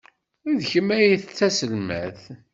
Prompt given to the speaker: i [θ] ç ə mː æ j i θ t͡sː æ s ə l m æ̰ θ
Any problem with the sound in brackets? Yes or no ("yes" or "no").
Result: yes